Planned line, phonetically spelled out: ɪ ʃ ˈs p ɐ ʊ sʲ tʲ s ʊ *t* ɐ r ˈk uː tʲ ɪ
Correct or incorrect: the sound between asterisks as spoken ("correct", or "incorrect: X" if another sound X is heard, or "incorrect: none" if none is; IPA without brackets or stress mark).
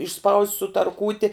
correct